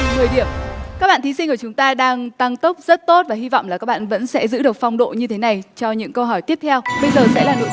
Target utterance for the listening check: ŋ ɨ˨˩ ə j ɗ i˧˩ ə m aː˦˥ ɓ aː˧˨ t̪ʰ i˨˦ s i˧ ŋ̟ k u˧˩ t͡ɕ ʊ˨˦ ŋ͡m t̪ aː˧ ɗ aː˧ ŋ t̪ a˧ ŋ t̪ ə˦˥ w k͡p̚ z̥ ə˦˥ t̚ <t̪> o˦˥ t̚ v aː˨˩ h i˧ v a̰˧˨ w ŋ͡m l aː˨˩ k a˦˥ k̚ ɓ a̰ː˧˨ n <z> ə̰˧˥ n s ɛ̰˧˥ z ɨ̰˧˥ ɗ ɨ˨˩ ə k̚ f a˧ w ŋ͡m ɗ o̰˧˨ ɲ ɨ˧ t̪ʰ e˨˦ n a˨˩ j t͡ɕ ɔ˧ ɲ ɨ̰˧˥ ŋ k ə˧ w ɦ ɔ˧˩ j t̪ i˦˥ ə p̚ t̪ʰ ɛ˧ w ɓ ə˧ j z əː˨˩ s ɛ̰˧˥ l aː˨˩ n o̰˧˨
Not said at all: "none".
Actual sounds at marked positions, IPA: t̪, v

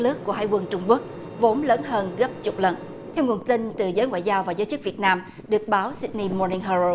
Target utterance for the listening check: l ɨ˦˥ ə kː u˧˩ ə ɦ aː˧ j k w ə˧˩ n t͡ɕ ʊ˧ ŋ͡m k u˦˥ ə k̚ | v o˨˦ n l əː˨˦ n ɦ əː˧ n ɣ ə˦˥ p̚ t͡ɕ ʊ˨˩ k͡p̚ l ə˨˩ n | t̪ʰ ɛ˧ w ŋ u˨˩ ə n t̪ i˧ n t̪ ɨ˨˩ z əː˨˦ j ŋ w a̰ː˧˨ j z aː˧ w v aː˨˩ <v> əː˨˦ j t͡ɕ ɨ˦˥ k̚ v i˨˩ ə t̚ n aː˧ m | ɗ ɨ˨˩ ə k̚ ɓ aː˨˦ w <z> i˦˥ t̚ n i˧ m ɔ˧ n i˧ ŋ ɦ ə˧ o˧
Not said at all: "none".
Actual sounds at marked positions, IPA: z, s

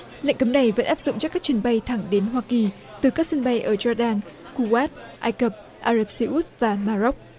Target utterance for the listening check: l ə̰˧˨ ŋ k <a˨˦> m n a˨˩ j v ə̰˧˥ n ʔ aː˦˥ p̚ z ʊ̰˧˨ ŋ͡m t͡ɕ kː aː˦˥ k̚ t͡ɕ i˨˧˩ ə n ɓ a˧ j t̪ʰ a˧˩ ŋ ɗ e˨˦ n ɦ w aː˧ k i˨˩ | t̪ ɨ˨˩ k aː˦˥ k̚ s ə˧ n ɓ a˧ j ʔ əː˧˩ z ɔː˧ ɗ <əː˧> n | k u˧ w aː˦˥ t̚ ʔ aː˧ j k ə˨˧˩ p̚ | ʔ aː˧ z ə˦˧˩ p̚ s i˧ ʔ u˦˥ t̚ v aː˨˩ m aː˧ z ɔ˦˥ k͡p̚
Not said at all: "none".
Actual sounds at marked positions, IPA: ə˨˦, aː˧

